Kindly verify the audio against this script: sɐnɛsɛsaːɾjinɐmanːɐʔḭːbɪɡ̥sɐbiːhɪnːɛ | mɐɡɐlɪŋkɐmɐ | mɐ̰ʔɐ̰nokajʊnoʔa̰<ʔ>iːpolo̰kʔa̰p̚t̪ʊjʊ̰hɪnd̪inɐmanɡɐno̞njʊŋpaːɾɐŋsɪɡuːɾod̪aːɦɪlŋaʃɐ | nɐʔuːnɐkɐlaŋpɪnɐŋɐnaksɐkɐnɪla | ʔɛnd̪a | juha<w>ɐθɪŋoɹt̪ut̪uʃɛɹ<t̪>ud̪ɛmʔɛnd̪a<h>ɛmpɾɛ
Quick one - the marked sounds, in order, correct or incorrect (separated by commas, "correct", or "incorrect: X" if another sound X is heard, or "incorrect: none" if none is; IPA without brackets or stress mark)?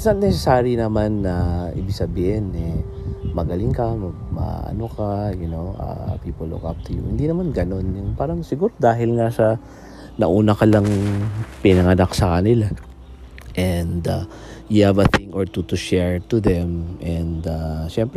incorrect: p, incorrect: v, correct, incorrect: ʃ